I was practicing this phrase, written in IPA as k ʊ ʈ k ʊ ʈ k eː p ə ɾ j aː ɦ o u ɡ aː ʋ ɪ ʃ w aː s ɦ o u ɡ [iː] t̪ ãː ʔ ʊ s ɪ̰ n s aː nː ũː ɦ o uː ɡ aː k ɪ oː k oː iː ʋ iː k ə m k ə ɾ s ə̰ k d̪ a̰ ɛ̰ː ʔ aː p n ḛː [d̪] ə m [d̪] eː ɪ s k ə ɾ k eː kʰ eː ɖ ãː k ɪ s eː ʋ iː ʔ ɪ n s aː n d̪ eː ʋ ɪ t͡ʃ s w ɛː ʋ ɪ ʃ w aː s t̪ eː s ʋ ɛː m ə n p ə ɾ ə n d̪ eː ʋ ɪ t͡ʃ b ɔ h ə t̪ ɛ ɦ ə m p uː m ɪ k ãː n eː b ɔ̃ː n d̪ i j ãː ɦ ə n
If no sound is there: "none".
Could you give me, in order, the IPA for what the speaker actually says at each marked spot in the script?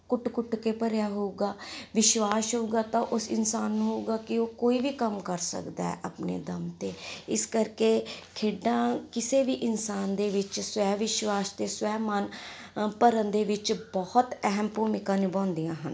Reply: aː, d̪, t̪

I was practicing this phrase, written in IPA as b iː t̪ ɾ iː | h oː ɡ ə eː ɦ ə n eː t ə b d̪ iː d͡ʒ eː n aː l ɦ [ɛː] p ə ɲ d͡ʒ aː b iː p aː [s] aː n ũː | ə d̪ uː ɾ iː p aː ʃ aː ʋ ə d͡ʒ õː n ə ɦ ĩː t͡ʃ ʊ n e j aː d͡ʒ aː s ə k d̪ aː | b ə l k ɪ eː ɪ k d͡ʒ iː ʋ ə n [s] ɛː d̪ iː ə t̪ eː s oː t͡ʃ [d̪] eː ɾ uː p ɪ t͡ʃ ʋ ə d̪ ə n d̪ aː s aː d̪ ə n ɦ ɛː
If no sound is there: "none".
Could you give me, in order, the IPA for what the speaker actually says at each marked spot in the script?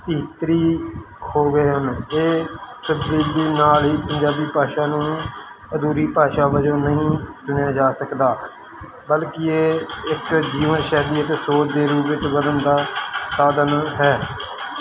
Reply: iː, ʃ, ʃ, d̪

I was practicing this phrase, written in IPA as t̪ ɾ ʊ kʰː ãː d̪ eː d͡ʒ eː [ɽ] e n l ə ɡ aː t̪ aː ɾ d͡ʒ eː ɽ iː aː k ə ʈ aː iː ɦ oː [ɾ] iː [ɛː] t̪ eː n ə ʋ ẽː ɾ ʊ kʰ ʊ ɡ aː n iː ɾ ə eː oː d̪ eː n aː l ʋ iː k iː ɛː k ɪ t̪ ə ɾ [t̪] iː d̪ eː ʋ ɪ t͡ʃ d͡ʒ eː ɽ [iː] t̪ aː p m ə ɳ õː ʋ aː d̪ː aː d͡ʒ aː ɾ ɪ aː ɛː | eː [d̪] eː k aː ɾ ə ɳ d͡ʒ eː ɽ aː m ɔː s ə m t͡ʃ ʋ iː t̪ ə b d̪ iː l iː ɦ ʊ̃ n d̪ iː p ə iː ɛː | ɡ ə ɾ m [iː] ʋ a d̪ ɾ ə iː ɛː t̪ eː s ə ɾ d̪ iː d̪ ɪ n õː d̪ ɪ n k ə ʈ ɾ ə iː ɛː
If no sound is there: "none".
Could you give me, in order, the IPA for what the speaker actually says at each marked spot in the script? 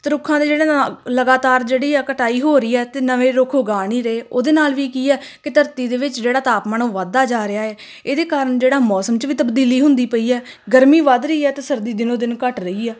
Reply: ɽ, ɾ, ɛː, t̪, aː, d̪, iː

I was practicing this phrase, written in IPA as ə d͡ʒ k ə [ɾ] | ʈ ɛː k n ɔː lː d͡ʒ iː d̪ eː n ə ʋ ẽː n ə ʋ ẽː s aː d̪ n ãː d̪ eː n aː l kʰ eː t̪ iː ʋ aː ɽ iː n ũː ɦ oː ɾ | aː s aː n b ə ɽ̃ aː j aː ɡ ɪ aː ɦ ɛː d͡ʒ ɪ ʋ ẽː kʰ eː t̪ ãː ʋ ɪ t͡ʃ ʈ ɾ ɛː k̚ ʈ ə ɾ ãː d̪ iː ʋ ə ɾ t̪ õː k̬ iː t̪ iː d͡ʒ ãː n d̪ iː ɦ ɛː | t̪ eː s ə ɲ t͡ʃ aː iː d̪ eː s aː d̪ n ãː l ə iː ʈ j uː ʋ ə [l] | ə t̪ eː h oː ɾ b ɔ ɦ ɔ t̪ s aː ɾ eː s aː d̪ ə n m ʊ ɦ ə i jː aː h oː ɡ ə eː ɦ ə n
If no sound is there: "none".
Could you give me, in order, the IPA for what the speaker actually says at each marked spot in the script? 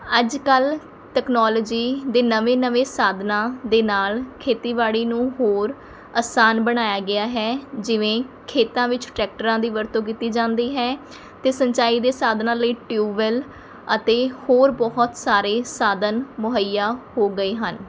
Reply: l, l

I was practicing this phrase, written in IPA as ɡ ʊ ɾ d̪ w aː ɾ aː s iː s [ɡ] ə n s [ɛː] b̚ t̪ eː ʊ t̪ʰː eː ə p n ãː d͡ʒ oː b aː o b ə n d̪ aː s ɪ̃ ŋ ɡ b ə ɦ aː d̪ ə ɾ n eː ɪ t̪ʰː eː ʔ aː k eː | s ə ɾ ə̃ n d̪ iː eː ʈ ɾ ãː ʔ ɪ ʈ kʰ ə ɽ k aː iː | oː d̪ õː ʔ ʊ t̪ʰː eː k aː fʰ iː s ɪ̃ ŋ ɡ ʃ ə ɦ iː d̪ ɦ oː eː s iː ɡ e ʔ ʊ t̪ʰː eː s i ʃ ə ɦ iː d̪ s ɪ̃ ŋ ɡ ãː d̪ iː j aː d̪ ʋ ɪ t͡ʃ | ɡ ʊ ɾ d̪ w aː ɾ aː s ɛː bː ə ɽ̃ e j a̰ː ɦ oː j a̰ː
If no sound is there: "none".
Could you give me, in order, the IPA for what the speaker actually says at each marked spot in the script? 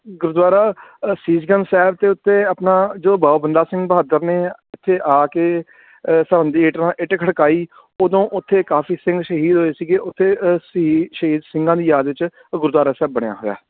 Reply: ɡ, ɛː

